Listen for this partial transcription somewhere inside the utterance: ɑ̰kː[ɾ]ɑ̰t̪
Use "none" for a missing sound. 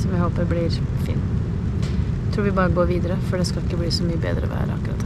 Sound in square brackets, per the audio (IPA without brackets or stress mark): ɾ